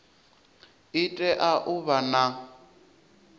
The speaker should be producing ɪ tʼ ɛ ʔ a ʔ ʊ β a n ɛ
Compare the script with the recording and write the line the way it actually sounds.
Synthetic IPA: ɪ tʼ ɛ ʔ a ʔ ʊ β a n a